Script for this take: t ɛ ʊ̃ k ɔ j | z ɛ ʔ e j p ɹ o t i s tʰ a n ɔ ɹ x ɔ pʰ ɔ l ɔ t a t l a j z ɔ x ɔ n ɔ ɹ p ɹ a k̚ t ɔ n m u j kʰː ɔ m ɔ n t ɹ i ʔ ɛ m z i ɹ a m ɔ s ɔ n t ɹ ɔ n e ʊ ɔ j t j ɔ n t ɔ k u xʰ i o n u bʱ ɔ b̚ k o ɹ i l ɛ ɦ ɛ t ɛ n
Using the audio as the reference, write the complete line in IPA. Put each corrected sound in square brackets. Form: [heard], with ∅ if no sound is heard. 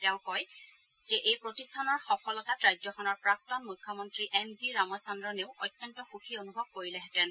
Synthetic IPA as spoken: t ɛ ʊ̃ k ɔ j | z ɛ ʔ e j p ɹ o t i s tʰ a n ɔ ɹ x ɔ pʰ ɔ l ɔ t a t [ɹ] a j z ɔ x ɔ n ɔ ɹ p ɹ a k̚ t ɔ n m u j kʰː ɔ m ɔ n t ɹ i ʔ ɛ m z i ɹ a m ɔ s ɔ n [d] ɹ ɔ n e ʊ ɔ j t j ɔ n t ɔ [x] u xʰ i o n u bʱ ɔ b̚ k o ɹ i l ɛ ɦ ɛ t ɛ n